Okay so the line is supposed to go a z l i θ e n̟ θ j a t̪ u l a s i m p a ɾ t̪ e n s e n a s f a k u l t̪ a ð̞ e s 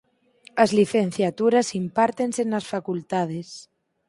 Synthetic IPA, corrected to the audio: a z l i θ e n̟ θ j a t̪ u ɾ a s i m p a ɾ t̪ e n s e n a s f a k u l t̪ a ð̞ e s